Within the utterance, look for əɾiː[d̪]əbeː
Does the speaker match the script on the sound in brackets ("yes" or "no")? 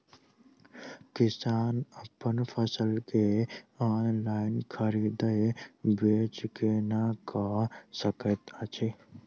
yes